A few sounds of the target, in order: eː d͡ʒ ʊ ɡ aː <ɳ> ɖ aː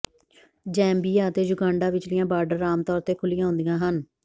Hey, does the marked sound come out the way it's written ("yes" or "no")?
yes